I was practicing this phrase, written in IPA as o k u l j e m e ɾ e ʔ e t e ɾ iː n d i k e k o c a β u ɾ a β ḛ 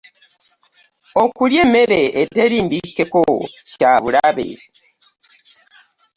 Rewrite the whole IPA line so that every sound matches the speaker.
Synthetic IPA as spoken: o k u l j e m e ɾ e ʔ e t e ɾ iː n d i k e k o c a β u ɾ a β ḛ